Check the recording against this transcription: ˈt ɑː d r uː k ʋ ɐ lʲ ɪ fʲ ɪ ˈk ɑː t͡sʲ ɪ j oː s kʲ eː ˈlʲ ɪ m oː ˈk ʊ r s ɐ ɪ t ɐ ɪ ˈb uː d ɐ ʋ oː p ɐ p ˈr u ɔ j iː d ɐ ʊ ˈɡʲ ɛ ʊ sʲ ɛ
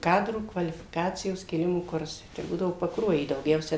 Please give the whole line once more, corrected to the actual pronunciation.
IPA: ˈk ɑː d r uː k ʋ ɐ lʲ ɪ fʲ ɪ ˈk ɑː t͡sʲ ɪ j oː s kʲ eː ˈlʲ ɪ m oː ˈk ʊ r s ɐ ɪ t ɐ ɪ ˈb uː d ɐ ʋ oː p ɐ k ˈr u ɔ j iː d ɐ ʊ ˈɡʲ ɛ ʊ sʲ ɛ